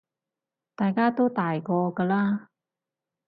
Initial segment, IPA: t̪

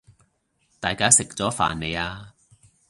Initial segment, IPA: t̪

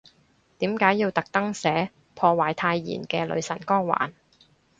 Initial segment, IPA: t̪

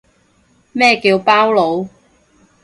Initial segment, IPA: m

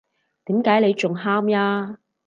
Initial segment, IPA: t̪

